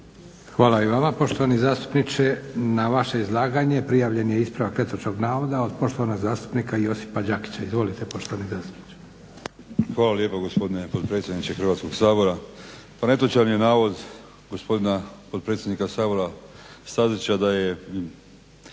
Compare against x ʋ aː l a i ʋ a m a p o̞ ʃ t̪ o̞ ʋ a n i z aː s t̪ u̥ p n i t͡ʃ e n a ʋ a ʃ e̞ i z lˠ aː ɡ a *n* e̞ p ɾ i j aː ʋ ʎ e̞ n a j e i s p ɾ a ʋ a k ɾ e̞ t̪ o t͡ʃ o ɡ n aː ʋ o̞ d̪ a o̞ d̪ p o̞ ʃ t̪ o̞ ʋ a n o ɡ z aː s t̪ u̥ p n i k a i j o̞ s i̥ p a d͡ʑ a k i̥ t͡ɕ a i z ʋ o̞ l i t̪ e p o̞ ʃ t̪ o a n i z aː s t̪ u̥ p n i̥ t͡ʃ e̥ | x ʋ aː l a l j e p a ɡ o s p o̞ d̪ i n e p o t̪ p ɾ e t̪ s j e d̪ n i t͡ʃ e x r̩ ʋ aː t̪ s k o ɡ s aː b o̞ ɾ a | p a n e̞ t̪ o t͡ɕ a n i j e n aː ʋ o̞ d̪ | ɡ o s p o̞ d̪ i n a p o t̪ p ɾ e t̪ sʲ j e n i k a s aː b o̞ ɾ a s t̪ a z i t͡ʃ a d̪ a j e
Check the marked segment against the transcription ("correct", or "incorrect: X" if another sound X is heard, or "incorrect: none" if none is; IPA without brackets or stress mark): incorrect: ɲ